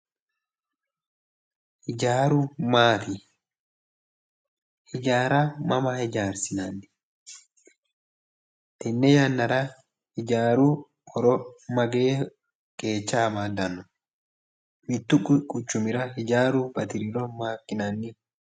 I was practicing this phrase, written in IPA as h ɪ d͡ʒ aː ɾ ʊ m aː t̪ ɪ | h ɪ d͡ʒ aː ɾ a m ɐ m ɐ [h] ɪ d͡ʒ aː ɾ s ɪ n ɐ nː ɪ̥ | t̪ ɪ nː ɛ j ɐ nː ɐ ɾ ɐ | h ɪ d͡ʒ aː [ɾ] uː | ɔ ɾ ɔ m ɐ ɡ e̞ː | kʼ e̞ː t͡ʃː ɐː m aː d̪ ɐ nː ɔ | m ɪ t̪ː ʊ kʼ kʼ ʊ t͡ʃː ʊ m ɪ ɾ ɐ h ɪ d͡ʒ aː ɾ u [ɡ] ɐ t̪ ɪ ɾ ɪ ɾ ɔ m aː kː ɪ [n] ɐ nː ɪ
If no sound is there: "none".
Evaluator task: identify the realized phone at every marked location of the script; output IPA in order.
h, ɾ, b, n

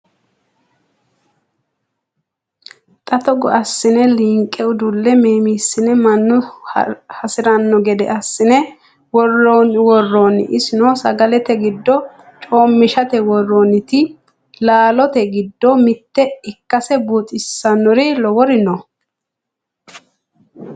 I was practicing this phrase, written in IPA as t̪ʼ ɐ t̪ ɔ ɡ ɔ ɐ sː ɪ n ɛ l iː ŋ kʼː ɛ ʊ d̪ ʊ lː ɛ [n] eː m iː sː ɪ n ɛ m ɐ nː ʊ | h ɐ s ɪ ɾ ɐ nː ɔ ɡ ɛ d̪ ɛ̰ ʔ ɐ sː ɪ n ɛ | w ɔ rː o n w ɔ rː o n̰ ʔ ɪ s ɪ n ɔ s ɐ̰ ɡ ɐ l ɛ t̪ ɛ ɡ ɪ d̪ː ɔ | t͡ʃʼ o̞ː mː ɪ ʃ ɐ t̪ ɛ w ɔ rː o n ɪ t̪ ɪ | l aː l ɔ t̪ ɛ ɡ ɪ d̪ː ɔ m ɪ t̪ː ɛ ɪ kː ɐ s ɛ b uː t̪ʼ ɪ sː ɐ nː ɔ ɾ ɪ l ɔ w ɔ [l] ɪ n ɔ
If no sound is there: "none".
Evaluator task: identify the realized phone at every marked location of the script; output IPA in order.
m, ɾ

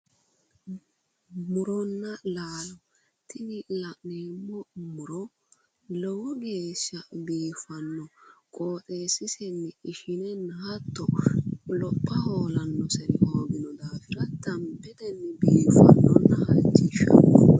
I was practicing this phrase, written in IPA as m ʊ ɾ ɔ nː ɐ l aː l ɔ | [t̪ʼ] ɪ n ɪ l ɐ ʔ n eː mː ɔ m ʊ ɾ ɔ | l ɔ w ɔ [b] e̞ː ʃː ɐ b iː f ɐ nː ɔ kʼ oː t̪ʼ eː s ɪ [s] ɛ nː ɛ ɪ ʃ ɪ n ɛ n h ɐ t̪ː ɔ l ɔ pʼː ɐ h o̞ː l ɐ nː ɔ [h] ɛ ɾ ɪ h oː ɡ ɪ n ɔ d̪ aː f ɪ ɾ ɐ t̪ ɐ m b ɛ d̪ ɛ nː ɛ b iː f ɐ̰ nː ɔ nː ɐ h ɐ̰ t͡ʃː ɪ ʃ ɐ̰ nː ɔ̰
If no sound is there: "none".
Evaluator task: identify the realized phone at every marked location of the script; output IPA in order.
t̪, ɡ, s, s

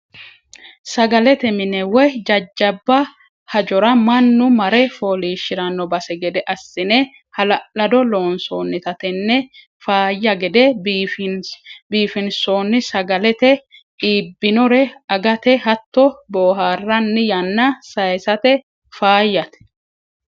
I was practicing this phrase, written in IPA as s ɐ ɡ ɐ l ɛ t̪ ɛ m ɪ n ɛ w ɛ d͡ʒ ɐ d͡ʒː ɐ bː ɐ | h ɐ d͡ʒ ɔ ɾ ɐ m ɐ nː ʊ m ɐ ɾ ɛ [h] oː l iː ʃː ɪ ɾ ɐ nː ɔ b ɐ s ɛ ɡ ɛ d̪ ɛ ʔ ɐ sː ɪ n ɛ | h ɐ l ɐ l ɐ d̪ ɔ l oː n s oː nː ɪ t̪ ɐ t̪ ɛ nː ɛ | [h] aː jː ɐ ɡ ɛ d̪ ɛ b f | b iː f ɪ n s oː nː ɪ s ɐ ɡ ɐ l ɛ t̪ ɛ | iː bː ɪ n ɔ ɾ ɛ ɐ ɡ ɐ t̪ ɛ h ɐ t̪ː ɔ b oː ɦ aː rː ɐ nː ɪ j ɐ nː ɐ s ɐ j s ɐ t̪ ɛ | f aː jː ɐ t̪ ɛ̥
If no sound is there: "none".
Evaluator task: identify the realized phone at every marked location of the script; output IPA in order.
f, f

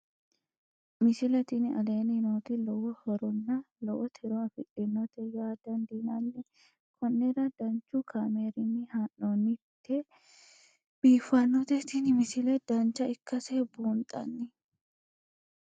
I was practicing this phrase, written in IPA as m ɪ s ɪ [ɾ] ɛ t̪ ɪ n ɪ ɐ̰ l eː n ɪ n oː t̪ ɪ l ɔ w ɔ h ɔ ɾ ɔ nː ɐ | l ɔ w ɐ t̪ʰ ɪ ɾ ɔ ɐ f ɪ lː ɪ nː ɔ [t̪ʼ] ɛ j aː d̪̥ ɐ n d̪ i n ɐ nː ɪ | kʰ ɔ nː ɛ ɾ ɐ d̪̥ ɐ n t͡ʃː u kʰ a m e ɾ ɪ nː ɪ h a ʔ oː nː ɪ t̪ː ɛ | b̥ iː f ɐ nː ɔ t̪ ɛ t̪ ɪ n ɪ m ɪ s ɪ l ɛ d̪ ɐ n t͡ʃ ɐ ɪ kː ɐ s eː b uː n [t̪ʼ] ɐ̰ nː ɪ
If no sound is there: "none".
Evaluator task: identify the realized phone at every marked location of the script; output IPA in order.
l, t̪, t̪ʼ

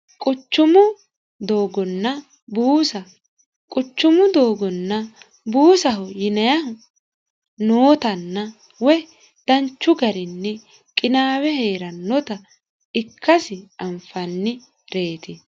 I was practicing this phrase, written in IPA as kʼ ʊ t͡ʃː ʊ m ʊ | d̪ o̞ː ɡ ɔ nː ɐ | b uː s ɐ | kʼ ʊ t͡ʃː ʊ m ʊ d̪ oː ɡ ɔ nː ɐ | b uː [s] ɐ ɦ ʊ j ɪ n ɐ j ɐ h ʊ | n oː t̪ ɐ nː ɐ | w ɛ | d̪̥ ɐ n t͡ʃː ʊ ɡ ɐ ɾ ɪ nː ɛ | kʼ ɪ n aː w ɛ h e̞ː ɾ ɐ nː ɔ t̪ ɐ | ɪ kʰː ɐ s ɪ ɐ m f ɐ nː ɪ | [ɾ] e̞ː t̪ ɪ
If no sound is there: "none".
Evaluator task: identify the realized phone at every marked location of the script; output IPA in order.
s, ɾ

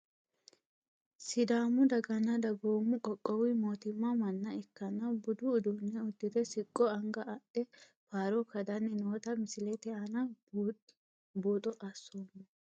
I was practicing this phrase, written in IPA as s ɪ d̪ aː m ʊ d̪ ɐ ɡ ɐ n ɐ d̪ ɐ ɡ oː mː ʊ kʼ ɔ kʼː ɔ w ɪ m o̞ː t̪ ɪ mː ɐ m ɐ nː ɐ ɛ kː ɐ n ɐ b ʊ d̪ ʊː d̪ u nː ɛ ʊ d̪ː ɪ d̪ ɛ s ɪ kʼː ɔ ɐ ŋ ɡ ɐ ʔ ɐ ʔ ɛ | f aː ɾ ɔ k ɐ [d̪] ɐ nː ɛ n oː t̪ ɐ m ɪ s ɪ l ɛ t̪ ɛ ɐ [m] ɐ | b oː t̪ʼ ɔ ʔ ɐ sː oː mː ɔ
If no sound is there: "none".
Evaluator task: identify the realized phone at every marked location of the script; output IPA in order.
d̪, n

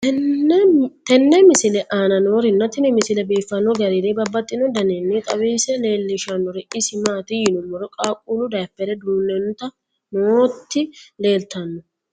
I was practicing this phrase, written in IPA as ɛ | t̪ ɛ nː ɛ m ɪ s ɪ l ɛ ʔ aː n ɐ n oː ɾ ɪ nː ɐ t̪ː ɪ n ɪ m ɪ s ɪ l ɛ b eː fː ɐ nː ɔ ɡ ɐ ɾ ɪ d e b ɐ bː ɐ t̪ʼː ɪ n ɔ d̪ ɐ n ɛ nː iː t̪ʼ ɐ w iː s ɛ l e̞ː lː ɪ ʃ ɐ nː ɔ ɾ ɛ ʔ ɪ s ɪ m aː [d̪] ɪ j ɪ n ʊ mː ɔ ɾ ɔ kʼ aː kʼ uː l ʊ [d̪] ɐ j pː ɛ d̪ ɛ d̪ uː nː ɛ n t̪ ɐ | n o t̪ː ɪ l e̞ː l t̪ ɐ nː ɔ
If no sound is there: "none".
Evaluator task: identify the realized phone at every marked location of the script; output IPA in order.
t̪, d̪

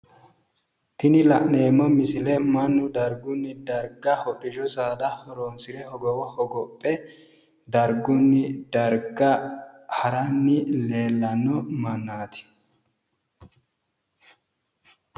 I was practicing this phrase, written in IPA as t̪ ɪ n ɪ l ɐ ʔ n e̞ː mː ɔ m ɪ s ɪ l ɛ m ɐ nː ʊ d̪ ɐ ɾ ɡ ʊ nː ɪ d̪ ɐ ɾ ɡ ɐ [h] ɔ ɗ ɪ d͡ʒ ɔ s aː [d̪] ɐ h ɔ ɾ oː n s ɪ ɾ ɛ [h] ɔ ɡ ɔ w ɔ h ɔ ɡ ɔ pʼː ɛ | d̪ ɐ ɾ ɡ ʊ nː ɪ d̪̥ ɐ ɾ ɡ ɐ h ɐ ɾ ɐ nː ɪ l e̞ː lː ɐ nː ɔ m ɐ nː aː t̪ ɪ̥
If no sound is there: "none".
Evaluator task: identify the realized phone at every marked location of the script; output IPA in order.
h, d̪, h

